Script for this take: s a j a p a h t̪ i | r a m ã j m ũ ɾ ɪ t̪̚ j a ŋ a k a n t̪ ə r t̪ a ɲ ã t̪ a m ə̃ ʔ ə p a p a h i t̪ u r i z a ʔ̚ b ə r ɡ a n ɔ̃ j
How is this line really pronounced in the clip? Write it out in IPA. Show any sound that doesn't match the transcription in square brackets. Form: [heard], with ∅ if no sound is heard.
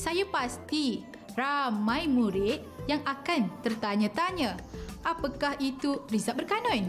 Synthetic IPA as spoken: s a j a p a [s] t̪ i | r a m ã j m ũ ɾ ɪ t̪̚ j a ŋ a k a n t̪ ə r t̪ a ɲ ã t̪ a [ɲ] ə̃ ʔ [a] p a [k] a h i t̪ u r i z a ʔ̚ b ə r [k] a n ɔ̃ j